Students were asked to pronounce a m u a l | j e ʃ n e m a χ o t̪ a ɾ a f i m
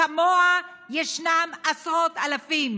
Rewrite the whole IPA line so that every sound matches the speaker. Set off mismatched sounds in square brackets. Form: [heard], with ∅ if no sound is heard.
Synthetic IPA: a m [o] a [∅] | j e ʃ n [a] m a [s] o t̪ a [l] a f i m